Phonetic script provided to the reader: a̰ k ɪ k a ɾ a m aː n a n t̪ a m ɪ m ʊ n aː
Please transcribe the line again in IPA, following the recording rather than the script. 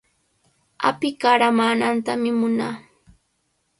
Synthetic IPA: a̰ p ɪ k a ɾ a m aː n a n t̪ a m ɪ m ʊ n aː